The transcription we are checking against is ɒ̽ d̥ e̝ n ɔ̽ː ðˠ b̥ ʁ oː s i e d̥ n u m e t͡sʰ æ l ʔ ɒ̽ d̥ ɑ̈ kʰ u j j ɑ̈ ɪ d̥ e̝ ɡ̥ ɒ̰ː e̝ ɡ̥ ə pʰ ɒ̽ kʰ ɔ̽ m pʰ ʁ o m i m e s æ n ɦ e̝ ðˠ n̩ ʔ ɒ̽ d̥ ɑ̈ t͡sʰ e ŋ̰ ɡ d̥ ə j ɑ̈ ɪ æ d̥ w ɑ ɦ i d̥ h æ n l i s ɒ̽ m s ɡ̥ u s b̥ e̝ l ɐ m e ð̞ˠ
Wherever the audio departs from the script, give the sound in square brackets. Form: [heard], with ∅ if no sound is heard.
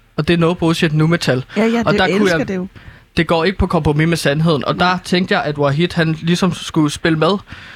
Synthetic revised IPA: ɒ̽ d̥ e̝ n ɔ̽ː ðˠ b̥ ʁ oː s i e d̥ n u m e t͡sʰ æ l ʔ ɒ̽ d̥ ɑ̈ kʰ u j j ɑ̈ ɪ d̥ e̝ ɡ̥ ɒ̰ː e̝ ɡ̥ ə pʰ ɒ̽ kʰ [ɒ̽] m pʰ ʁ o m i m e s æ n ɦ e̝ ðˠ n̩ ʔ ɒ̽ d̥ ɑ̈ t͡sʰ e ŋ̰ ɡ d̥ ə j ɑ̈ ɪ æ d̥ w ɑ ɦ i d̥ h æ n l i s ɒ̽ m s ɡ̥ u s b̥ e̝ l [ə] m e ð̞ˠ